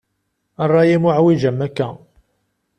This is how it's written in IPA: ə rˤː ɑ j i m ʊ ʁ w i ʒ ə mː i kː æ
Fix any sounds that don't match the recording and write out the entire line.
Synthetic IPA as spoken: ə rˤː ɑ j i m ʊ ʕ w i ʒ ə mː æ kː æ